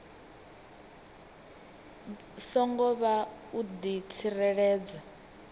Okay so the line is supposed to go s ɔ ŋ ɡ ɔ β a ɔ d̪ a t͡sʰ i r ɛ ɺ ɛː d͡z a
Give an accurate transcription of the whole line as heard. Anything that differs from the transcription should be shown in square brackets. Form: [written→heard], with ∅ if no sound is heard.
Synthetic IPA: s ɔ ŋ ɡ ɔ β a [ɔ→u] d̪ [a→i] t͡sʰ i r ɛ ɺ ɛː d͡z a